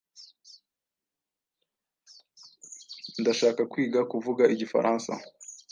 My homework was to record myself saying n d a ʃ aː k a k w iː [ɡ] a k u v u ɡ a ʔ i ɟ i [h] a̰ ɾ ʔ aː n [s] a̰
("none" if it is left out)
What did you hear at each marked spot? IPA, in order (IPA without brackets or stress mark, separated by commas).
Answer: ɡ, f, s